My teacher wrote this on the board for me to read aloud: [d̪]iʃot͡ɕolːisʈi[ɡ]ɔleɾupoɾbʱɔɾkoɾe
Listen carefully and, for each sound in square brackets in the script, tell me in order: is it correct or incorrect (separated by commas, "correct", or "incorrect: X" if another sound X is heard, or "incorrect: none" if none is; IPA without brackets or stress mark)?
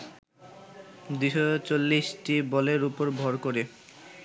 correct, incorrect: b